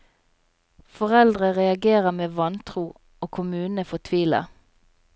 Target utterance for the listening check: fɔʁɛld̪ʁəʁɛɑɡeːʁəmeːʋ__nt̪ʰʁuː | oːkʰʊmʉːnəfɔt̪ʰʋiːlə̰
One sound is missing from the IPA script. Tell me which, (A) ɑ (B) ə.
A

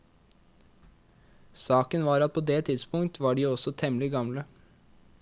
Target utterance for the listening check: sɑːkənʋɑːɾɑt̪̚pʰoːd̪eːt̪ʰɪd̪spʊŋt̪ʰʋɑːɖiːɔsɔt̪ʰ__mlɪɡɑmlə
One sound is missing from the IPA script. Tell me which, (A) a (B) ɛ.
B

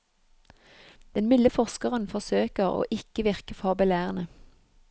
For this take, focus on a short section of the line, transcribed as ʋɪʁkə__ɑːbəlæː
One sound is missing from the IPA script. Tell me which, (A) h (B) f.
B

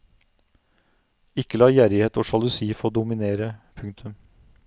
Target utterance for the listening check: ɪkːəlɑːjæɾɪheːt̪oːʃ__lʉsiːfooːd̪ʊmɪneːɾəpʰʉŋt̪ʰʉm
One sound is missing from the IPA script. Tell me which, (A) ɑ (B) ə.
A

